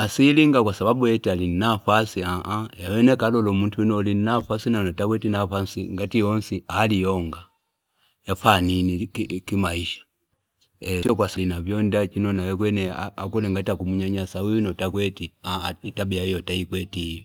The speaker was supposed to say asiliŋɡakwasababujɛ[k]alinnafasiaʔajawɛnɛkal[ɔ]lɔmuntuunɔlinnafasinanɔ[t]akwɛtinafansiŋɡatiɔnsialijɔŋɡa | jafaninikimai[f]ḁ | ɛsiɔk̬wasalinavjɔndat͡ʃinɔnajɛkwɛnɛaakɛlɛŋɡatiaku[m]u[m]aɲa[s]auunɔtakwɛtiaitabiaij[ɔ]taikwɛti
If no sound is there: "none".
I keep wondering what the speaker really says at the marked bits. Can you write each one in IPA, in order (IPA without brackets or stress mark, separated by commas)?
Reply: t, ɔ, t, ʃ, m, ɲ, s, ɔ